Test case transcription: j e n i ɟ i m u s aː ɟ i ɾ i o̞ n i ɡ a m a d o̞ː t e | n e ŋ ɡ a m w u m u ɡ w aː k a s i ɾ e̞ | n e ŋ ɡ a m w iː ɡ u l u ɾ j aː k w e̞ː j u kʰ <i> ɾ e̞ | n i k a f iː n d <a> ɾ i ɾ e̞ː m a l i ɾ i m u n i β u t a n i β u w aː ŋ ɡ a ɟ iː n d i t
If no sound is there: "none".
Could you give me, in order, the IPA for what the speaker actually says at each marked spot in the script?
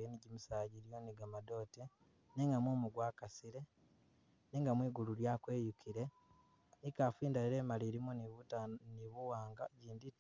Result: i, a

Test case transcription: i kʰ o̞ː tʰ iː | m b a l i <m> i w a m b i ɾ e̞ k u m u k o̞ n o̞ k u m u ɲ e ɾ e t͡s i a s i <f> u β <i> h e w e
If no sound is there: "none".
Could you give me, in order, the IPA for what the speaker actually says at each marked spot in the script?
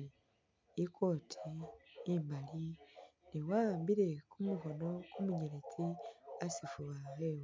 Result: n, f, a

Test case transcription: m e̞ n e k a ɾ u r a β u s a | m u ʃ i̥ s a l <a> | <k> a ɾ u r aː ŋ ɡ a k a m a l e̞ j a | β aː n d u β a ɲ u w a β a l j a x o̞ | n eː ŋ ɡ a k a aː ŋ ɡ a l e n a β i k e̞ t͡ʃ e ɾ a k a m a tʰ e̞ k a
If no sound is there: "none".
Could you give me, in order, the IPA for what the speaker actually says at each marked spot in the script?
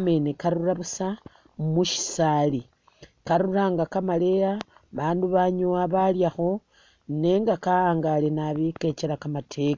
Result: i, k

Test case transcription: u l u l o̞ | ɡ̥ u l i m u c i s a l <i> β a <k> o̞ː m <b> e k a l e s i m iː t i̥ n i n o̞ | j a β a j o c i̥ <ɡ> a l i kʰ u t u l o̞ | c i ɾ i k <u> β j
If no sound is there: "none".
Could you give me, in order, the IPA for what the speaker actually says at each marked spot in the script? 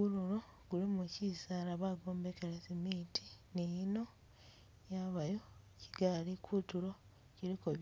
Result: a, ɡ, b, ɡ, o

